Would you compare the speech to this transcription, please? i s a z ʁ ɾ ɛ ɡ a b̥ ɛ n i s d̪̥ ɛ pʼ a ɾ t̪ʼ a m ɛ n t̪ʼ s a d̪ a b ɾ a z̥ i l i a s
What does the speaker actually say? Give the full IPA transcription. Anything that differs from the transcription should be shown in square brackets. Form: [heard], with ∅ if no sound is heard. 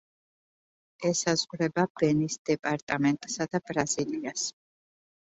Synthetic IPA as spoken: [ɛ] s a z ʁ ɾ ɛ [b] a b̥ ɛ n i s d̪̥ ɛ pʼ a ɾ t̪ʼ a m ɛ n t̪ʼ s a d̪ a b ɾ a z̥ i l i a s